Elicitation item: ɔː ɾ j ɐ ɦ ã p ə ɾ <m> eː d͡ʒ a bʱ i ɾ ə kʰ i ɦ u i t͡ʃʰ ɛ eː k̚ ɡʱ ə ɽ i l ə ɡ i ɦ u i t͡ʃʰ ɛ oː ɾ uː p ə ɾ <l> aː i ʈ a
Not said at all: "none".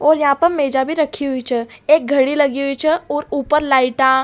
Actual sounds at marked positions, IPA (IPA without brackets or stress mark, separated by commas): m, l